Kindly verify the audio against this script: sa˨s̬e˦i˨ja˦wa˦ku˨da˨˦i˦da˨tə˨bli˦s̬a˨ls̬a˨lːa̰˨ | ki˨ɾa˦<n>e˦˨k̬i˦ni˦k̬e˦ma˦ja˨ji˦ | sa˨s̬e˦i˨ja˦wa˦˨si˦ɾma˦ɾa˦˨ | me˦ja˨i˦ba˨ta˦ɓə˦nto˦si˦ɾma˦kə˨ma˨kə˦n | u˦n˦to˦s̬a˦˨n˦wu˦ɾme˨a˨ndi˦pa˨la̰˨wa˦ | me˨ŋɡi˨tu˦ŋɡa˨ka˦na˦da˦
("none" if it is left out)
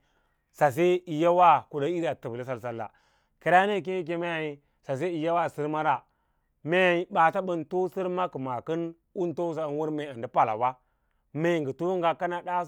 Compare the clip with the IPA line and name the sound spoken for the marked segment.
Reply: n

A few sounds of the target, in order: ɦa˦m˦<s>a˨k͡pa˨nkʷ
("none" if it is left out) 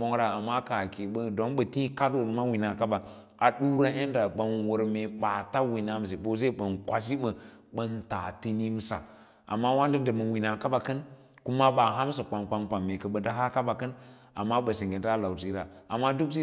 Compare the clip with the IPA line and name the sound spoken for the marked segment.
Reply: s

